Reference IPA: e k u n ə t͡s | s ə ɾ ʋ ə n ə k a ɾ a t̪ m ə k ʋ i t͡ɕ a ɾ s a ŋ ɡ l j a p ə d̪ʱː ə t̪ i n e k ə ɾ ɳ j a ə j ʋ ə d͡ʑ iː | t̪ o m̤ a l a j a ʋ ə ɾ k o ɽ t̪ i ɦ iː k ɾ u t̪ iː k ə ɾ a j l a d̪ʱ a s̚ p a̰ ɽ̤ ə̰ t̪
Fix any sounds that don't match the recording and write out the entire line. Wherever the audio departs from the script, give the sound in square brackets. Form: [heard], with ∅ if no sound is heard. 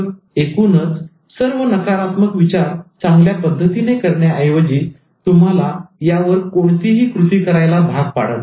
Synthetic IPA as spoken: e k u n ə t͡s | s ə ɾ ʋ ə n ə k a ɾ a t̪ m ə k ʋ i t͡ɕ a ɾ [t͡s] a ŋ ɡ l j a p ə d̪ʱː ə t̪ i n e k ə ɾ ɳ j a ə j ʋ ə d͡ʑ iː | t̪ [u] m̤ a l a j a ʋ ə ɾ k o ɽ t̪ i ɦ iː k ɾ u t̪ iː k ə ɾ a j l a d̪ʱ a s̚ p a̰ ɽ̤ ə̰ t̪